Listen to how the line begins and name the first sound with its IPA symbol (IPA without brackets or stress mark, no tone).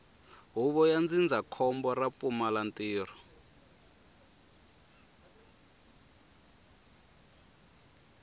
ɦ